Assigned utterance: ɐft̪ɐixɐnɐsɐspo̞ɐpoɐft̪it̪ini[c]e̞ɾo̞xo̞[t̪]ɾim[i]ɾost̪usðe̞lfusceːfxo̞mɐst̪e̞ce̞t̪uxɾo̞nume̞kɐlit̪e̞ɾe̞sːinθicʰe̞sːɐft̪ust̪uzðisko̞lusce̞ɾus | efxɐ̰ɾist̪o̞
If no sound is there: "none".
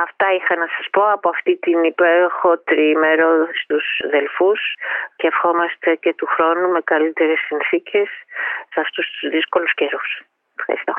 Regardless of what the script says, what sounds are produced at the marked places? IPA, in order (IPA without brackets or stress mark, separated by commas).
p, t̪, e